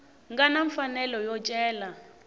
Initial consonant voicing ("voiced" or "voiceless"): voiced